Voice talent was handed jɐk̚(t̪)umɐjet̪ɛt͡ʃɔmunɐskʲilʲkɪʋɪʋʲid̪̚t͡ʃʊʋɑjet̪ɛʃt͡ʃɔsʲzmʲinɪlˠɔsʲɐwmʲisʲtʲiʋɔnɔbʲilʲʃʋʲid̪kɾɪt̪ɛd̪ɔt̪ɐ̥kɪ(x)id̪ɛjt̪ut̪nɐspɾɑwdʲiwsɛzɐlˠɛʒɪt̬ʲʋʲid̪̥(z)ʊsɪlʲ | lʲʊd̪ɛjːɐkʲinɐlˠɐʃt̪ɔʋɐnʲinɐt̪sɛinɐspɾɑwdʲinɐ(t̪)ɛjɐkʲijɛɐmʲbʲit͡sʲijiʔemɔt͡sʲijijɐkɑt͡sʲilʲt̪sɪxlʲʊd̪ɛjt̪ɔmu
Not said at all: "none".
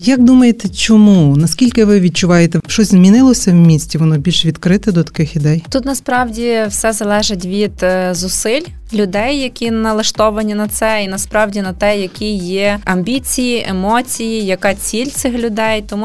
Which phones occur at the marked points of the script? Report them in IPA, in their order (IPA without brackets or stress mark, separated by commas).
d̪, x, z, t̪